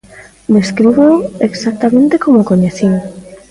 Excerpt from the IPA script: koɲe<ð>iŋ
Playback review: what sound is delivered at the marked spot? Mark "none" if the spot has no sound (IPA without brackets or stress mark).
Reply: θ